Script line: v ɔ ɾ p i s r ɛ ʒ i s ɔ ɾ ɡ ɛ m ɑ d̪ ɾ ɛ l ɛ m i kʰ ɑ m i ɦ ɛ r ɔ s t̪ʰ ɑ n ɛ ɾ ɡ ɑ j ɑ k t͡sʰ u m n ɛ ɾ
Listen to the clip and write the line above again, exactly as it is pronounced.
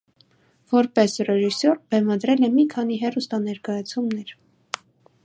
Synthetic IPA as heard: v ɔ ɾ p ɛ s r ɛ ʒ i s ɔ ɾ b ɛ m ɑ d̪ ɾ ɛ l ɛ m i kʰ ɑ n i ɦ ɛ r u s t̪ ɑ n ɛ ɾ k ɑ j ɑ t͡sʰ u m n ɛ ɾ